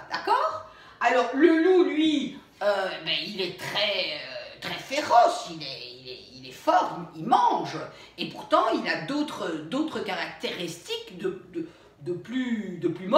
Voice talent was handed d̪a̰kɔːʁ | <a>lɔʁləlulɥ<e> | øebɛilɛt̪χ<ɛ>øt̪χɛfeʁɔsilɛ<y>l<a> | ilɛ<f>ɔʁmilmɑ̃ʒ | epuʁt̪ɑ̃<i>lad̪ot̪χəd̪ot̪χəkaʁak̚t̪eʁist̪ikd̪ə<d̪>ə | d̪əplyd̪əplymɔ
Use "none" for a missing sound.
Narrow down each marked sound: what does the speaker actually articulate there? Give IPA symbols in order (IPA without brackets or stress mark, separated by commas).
a, i, ɛ, i, ɛ, f, i, d̪